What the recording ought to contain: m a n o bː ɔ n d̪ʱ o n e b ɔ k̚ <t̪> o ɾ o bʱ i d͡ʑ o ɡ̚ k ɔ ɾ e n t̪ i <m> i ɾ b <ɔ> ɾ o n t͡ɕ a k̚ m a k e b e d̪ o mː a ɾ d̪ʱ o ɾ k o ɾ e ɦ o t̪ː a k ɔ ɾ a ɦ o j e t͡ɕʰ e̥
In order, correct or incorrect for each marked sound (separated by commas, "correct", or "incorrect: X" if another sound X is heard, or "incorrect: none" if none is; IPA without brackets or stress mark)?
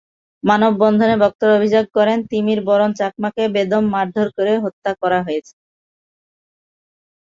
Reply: correct, correct, correct